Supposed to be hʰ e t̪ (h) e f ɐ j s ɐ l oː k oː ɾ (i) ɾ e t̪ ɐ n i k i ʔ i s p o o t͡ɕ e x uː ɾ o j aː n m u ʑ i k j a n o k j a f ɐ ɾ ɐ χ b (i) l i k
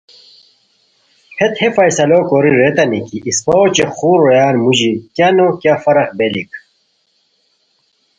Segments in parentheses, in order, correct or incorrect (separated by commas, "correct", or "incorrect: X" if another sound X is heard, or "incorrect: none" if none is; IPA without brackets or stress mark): correct, correct, incorrect: e